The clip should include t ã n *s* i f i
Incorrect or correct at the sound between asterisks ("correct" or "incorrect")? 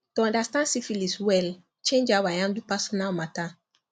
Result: correct